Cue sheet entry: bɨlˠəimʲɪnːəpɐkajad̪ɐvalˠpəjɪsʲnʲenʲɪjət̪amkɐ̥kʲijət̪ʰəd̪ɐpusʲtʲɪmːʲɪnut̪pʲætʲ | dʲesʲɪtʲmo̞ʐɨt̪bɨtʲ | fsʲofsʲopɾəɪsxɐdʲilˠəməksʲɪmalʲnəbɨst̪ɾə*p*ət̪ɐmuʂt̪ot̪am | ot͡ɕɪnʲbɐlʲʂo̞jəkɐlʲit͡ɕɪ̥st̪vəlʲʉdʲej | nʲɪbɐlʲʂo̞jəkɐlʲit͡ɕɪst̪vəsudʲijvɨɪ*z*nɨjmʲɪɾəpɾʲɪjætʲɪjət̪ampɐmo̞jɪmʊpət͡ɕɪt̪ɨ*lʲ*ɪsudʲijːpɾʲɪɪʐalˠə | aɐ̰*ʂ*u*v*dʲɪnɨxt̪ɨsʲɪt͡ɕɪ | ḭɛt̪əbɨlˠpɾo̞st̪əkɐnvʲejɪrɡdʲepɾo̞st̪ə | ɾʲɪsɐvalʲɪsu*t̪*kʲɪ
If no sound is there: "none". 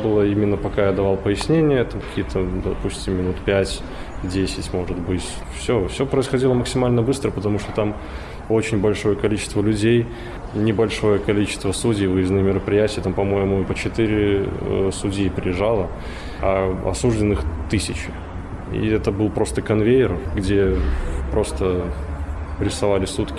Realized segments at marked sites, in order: p, z, ɾʲ, s, ʐ, t̪

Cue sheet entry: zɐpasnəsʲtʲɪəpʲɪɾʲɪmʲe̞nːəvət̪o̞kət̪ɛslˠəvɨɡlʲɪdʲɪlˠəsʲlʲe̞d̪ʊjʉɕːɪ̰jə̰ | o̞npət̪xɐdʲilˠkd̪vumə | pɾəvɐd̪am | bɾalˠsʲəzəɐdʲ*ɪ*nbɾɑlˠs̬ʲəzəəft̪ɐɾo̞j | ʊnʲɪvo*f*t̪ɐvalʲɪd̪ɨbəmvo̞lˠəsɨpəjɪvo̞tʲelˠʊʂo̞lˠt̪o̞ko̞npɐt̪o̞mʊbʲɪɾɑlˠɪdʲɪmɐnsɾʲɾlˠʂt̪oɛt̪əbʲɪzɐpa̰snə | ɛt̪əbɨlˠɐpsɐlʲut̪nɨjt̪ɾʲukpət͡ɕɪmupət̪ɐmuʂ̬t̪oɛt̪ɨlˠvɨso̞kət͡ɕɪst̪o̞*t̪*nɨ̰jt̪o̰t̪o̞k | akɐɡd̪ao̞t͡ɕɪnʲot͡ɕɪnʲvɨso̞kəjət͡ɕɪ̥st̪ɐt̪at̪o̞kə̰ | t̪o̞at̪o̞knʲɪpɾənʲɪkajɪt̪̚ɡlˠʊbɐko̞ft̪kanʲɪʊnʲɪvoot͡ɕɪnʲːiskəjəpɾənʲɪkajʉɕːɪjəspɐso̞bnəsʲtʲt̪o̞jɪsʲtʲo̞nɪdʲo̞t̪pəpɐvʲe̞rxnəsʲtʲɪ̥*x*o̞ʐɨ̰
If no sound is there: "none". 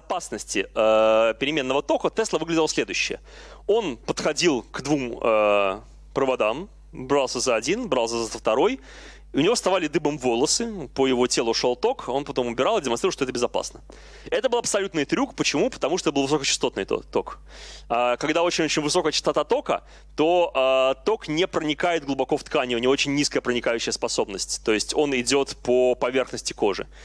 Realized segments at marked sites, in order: i, s, t̪, k

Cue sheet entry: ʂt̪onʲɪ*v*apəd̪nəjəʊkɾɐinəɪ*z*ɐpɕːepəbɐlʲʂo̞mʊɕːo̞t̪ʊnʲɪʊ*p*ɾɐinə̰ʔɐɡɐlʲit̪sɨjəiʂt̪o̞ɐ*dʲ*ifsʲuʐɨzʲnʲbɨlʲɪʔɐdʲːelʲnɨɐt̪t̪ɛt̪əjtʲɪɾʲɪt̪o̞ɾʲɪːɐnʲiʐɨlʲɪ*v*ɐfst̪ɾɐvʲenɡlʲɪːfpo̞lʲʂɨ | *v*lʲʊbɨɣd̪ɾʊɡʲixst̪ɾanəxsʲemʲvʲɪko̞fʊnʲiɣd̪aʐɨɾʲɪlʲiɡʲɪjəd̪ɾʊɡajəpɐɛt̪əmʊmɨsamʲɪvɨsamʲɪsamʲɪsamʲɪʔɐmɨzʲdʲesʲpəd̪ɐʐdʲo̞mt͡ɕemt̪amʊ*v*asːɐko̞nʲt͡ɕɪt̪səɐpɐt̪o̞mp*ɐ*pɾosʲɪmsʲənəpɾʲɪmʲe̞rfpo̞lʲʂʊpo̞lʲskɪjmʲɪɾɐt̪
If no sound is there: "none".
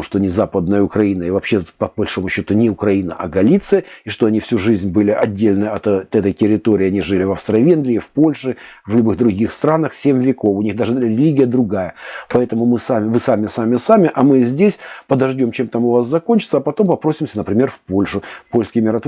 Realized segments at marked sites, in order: z, v, k, nʲ, v, v, v, ɐ

